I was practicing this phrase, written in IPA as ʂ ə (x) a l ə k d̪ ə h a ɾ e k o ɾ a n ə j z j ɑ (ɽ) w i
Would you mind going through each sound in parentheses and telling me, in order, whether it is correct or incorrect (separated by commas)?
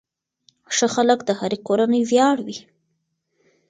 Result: correct, correct